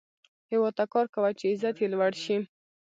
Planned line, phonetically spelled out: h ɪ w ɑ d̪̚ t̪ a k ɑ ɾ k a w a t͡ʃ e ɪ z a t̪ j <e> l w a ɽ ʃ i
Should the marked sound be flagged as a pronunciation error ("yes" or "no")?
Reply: no